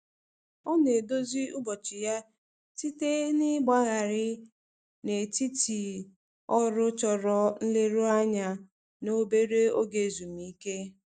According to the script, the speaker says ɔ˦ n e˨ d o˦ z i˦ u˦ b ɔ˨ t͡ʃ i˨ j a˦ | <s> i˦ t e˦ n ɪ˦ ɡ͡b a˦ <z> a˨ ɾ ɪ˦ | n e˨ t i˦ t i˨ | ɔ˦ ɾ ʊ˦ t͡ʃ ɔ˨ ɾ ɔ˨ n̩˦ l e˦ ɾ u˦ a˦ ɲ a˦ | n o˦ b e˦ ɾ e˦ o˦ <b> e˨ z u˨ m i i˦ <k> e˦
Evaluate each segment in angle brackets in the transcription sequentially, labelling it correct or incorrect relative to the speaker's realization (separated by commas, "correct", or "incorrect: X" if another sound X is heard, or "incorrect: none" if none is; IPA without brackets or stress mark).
incorrect: t, incorrect: ɣ, incorrect: ɡ, correct